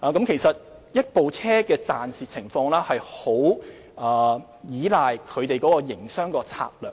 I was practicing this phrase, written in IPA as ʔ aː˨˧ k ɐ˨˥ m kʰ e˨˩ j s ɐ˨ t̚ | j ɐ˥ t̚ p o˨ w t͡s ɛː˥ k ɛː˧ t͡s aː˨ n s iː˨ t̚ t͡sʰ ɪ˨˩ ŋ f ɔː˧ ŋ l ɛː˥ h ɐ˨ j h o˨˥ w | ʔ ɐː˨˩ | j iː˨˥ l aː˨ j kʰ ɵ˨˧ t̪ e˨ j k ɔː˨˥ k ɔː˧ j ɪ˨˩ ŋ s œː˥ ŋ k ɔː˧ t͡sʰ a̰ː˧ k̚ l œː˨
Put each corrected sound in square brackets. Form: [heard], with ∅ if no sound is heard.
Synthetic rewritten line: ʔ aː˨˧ k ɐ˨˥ m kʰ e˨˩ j s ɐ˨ t̚ | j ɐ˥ t̚ p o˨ w [t͡sʰ] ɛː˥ k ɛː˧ t͡s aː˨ n s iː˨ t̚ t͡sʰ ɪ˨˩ ŋ f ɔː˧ ŋ l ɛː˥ h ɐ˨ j h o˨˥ w | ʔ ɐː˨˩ | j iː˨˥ l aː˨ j kʰ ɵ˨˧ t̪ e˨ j k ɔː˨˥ k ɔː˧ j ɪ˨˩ ŋ s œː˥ ŋ k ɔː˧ t͡sʰ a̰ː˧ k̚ l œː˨

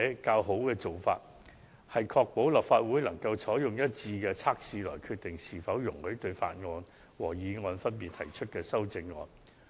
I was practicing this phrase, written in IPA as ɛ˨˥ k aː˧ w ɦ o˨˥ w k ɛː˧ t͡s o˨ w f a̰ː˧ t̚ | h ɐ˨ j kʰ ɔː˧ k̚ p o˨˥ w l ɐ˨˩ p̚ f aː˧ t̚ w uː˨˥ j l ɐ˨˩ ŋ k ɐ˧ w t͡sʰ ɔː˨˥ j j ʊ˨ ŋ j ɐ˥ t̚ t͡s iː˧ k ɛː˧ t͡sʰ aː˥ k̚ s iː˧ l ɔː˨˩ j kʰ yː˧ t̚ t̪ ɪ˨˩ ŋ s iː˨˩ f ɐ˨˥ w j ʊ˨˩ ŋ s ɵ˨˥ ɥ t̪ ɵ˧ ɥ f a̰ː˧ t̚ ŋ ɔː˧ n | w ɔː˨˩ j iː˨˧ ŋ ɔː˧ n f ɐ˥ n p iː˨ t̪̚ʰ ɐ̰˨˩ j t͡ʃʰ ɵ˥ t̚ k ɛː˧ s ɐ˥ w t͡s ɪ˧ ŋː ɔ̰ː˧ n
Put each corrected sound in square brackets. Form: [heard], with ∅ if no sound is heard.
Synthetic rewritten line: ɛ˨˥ k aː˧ w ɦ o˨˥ w k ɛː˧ t͡s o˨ w f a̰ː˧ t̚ | h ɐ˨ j kʰ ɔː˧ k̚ p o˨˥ w l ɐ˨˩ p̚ f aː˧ t̚ w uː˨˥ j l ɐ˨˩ ŋ k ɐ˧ w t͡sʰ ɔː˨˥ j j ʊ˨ ŋ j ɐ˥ t̚ t͡s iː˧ k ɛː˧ t͡sʰ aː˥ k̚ s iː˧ l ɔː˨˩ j kʰ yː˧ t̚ t̪ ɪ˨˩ ŋ s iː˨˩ f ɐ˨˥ w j ʊ˨˩ ŋ [h] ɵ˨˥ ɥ t̪ ɵ˧ ɥ f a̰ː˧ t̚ ŋ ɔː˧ n | w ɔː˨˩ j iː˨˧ ŋ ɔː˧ n f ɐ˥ n p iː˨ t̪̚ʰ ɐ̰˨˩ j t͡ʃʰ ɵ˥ t̚ k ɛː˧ s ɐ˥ w t͡s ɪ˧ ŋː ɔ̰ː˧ n

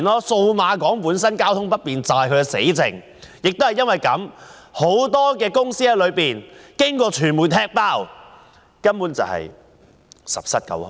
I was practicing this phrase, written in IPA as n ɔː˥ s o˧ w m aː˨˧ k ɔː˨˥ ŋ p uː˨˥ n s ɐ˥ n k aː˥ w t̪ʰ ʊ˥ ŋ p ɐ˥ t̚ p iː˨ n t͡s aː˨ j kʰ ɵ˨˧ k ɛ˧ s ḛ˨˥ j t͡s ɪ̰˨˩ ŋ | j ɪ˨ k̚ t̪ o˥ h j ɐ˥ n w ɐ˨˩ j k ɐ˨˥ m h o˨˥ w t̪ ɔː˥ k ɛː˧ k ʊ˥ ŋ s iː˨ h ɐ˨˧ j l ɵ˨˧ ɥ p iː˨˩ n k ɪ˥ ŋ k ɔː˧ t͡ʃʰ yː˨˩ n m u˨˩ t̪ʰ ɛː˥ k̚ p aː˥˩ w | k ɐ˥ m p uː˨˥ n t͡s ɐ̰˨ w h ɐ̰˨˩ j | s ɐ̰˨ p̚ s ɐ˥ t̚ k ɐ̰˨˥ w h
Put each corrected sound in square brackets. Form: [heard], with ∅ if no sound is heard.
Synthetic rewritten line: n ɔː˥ s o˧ w m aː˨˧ k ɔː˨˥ ŋ p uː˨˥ n s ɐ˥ n k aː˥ w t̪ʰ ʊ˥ ŋ p ɐ˥ t̚ p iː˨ n t͡s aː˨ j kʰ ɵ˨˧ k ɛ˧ s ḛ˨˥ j t͡s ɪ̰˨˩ ŋ | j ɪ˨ k̚ t̪ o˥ h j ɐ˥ n w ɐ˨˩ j k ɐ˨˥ m h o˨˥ w t̪ ɔː˥ k ɛː˧ k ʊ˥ ŋ s [iː˥] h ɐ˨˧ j l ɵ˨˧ ɥ p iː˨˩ n k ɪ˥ ŋ k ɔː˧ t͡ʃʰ yː˨˩ n m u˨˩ t̪ʰ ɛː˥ k̚ p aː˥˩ w | k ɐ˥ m p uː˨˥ n t͡s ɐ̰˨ w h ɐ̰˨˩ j | s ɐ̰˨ p̚ s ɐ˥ t̚ k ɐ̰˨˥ w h

